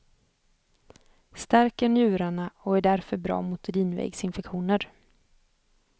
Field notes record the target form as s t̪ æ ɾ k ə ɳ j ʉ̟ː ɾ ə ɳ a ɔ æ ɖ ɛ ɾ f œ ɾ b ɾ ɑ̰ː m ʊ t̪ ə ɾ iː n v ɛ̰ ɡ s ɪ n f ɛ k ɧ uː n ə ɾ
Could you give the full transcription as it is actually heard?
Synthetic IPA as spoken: s t̪ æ ɾ k ə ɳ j ʉ̟ː ɾ a ɳ a ɔ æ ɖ æ ɾ f œ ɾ b ɾ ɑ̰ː m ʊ t̪ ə ɾ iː n v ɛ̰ ɡ s ɪ n f ɛ k ɧ uː n ə ɾ